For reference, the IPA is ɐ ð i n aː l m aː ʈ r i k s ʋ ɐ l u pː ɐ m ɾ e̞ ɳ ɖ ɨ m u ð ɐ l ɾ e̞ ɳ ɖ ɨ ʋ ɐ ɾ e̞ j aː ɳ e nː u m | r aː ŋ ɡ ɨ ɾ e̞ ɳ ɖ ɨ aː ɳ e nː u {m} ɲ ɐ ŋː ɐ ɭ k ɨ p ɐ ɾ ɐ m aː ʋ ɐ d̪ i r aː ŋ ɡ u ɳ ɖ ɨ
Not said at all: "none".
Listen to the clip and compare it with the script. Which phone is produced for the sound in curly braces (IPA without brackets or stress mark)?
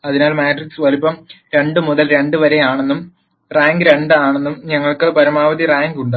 m